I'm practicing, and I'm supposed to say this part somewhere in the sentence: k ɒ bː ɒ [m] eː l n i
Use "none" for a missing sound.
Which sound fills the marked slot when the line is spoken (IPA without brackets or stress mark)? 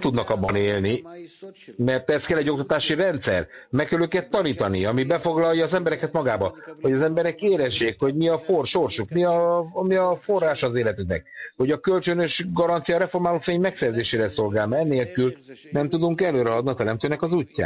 n